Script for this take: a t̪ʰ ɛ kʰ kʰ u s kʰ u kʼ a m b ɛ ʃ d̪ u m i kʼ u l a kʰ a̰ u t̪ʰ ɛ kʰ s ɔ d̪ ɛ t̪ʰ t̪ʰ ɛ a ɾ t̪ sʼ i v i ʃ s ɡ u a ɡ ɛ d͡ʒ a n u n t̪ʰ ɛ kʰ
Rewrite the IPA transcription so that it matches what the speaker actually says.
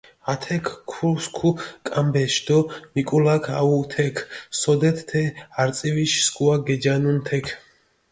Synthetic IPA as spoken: a t̪ʰ ɛ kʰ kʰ u s kʰ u kʼ a m b ɛ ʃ d̪ ɔ m i kʼ u l a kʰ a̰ u t̪ʰ ɛ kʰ s ɔ d̪ ɛ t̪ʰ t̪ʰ ɛ a ɾ t̪ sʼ i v i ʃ s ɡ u a ɡ ɛ d͡ʒ a n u n t̪ʰ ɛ kʰ